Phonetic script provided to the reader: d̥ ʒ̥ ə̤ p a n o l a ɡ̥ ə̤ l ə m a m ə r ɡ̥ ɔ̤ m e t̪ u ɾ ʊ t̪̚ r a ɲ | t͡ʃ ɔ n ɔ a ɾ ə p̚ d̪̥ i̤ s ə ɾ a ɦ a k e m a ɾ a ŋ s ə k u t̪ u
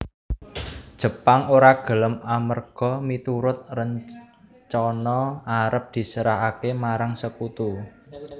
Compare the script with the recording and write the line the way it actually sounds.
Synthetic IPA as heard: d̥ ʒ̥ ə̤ p a ŋ o ɾ a ɡ̥ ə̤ l ə m a m ə r ɡ̥ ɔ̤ m i t̪ u ɾ ʊ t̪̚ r ə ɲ | t͡ʃ ɔ n ɔ a ɾ ə p̚ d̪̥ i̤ s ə ɾ a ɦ a k e m a ɾ a ŋ s ə k u t̪ u